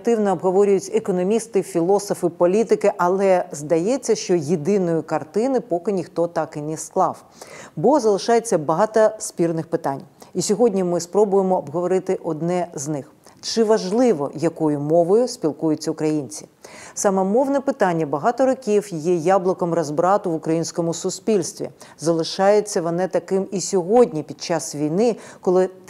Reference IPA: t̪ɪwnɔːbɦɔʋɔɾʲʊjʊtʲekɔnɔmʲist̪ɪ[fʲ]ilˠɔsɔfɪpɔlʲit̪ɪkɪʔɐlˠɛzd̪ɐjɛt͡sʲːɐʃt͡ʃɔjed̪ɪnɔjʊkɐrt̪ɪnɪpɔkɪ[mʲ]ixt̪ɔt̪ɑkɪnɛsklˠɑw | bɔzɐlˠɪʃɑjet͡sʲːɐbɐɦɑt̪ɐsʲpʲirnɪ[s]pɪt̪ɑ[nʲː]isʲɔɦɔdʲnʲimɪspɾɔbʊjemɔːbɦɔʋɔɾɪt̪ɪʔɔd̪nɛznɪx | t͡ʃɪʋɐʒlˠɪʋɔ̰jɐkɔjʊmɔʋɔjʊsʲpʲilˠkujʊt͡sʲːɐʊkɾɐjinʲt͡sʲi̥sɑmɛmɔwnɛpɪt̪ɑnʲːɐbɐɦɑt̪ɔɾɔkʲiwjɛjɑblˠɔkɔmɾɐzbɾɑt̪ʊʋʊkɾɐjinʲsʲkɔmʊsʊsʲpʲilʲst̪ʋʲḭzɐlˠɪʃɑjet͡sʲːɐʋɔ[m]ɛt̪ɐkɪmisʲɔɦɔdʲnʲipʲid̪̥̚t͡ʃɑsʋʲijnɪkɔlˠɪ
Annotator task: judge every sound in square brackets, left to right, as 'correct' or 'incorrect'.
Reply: correct, incorrect: nʲ, incorrect: x, incorrect: nʲ, incorrect: n

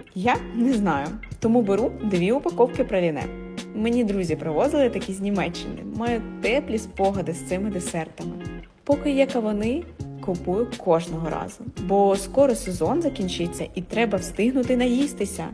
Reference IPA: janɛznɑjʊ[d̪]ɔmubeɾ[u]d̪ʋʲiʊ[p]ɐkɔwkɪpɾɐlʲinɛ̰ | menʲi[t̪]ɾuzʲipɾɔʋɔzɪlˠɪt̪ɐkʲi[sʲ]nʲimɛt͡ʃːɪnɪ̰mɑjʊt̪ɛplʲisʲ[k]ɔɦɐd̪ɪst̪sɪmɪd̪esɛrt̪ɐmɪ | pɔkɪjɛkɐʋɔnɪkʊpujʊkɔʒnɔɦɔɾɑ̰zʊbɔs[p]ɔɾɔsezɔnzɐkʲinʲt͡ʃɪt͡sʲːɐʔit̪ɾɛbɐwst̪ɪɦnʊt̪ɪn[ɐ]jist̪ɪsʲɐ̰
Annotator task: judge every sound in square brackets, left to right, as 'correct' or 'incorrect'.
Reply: incorrect: t̪, correct, correct, incorrect: d̪, incorrect: zʲ, incorrect: p, incorrect: k, correct

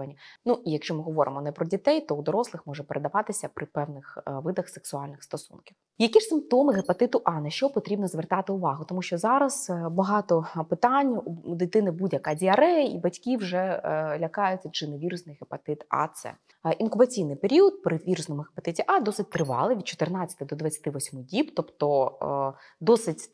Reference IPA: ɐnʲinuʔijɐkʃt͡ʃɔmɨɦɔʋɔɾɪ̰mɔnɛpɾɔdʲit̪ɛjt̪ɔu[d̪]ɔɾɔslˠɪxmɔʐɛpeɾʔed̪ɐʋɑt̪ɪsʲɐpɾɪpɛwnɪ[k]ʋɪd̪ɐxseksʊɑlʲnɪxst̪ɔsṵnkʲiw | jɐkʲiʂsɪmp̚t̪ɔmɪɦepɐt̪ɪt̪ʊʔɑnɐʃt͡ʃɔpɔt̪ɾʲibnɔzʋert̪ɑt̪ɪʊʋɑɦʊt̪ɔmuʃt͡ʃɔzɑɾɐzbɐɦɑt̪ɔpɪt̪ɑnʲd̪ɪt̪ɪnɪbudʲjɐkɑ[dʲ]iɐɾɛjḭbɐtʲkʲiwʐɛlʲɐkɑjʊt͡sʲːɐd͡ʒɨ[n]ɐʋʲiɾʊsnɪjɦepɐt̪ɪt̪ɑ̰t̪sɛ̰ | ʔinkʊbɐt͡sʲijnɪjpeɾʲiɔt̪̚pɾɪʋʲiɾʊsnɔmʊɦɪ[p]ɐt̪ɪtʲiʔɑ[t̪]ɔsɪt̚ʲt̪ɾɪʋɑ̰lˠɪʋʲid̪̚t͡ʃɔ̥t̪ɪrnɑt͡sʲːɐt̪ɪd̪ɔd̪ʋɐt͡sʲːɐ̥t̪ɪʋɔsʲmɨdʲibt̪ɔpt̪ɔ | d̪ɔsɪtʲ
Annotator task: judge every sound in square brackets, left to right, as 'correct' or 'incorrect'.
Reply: correct, incorrect: x, correct, correct, correct, incorrect: d̪

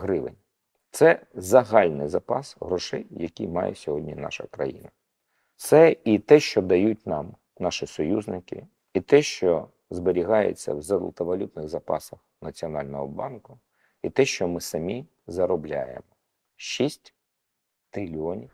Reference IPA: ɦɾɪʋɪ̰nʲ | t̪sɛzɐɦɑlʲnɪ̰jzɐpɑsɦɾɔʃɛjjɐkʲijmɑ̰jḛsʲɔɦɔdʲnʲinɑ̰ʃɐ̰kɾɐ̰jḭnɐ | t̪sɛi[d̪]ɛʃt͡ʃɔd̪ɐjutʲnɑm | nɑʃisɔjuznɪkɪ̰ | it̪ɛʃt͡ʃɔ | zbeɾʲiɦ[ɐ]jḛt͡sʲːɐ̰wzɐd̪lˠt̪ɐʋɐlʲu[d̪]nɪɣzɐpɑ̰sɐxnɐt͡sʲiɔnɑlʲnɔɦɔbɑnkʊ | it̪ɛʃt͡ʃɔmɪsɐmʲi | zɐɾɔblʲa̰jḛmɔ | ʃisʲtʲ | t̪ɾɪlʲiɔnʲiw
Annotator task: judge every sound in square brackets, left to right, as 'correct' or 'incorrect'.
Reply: incorrect: t̪, incorrect: ɑ, incorrect: t̪

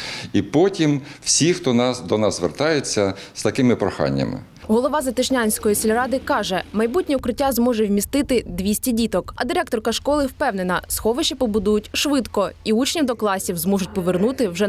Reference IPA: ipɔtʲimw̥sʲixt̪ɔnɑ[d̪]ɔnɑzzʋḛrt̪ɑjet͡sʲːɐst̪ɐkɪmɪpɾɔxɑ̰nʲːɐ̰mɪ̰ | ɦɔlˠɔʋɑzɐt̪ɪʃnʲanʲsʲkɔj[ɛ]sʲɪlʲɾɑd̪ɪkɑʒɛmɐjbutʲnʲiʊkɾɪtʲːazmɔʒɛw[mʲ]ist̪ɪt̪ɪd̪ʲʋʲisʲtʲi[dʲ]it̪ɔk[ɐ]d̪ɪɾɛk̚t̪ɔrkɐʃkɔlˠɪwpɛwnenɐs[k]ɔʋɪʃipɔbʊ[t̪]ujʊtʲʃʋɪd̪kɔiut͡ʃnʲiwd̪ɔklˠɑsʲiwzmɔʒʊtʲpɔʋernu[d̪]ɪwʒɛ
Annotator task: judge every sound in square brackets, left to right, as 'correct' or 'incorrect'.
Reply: correct, incorrect: i, correct, correct, correct, incorrect: x, incorrect: d̪, incorrect: t̪

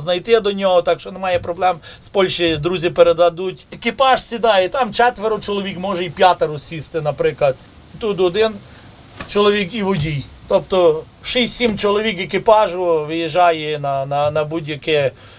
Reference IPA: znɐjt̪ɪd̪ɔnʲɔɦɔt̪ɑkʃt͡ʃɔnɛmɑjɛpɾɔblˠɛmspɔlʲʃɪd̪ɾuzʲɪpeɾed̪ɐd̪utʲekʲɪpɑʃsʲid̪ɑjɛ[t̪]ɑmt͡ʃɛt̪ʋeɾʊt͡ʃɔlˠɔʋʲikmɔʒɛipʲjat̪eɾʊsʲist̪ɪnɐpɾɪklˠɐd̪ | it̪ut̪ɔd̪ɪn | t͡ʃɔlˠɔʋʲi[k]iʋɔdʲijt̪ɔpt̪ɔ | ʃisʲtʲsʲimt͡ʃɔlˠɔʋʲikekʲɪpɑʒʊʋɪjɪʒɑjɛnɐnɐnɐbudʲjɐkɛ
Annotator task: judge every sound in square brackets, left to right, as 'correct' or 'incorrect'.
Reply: correct, correct

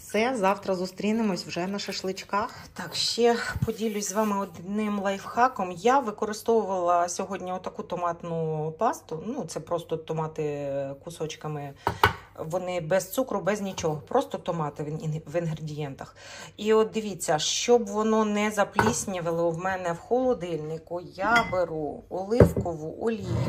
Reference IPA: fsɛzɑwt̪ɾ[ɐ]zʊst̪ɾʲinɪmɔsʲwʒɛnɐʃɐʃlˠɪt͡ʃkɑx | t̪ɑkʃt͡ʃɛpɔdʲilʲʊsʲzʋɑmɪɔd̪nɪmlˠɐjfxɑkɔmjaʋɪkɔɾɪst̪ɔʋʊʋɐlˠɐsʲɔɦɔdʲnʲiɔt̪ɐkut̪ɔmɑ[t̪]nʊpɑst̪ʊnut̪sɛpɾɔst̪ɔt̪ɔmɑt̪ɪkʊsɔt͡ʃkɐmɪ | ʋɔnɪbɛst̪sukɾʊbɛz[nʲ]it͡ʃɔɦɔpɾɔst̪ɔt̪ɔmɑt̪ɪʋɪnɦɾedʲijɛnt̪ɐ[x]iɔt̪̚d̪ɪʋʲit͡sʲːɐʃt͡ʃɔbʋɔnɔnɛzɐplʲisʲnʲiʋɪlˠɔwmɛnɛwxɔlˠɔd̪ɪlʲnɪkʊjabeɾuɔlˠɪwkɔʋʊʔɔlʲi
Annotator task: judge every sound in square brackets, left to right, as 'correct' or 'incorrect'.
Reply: correct, correct, correct, correct

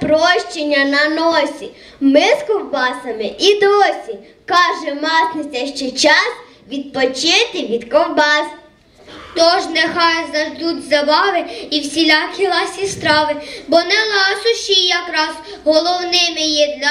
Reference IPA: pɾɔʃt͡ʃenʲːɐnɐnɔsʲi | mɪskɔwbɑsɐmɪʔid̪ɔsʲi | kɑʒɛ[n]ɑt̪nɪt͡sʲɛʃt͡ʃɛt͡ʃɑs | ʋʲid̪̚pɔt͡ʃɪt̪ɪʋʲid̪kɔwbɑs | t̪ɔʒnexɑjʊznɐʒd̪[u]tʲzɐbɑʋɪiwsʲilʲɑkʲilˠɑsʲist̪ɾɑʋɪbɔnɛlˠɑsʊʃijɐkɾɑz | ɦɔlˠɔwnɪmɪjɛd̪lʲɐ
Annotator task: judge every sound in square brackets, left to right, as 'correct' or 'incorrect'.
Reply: incorrect: m, correct

